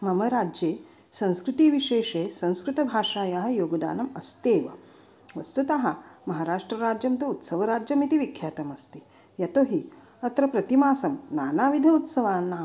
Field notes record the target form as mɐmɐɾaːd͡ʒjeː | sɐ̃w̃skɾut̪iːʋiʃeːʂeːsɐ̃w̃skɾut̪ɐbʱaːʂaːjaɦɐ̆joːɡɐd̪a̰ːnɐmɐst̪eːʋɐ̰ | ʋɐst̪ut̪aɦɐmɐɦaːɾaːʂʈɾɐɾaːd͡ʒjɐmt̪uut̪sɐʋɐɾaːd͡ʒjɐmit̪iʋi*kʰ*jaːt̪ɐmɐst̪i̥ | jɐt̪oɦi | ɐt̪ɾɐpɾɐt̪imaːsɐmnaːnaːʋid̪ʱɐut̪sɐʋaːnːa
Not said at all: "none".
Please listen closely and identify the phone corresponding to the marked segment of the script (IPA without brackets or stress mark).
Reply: kʰ